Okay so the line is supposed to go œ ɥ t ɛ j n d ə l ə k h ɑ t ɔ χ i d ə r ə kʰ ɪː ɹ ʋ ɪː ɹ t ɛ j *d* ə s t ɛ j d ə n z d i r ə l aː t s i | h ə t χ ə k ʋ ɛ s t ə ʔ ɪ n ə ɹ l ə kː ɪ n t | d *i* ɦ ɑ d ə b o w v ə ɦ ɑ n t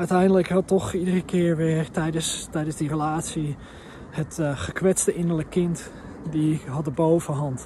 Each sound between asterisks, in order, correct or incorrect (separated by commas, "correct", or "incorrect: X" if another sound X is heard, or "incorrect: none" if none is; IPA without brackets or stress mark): correct, correct